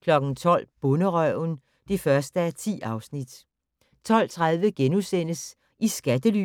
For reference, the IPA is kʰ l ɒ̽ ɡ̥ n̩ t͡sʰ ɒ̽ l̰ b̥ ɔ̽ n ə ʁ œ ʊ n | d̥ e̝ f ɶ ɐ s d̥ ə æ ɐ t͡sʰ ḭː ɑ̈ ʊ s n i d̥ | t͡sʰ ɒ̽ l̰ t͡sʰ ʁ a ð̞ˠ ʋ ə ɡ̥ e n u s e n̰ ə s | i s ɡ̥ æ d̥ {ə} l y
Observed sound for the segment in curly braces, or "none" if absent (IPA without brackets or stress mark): ə